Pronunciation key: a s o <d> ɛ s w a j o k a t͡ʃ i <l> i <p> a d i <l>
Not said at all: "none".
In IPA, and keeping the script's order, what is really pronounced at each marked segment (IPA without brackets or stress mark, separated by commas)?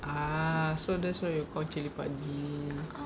d, l, p, none